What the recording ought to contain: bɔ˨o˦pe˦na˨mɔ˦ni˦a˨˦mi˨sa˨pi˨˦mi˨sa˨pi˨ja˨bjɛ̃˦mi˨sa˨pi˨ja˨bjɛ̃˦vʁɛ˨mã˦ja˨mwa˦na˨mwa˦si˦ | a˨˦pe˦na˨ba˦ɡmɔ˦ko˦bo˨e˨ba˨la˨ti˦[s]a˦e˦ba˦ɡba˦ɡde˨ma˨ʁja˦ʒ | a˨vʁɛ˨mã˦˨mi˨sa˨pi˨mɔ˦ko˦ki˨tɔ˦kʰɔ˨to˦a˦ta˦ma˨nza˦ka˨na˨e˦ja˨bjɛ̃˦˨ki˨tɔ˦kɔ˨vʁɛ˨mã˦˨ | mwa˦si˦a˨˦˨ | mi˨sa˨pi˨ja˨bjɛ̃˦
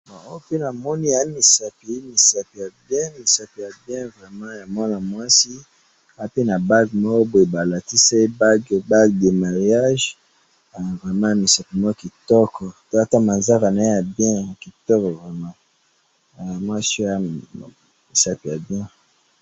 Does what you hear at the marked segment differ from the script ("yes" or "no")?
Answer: no